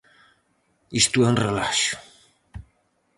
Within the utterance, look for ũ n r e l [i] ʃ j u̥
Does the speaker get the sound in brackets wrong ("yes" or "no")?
yes